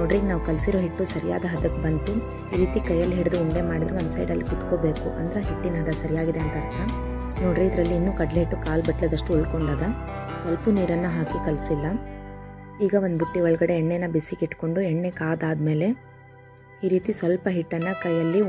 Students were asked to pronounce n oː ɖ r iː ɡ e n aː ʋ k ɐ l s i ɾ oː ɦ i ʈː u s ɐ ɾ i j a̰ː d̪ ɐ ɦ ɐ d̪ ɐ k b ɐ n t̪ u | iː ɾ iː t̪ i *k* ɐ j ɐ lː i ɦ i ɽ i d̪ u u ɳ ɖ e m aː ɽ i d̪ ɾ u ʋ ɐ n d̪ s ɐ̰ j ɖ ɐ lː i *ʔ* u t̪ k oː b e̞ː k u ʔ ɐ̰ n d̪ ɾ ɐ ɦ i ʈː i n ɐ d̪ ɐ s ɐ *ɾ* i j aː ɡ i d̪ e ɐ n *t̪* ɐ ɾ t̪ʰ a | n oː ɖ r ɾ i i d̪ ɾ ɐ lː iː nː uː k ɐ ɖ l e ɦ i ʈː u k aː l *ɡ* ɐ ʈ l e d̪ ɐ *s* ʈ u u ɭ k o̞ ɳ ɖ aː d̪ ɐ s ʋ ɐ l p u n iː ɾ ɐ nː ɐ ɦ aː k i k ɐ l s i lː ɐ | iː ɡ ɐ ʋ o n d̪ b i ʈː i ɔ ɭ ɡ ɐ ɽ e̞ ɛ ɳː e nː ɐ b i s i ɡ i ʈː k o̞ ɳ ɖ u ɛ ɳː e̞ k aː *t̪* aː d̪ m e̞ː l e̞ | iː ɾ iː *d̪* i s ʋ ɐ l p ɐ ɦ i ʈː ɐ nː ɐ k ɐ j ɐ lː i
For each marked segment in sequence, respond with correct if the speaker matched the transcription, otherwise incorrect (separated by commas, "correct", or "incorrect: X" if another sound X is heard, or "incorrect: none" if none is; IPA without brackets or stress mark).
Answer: correct, incorrect: k, correct, correct, incorrect: b, incorrect: ʂ, incorrect: d̪, incorrect: t̪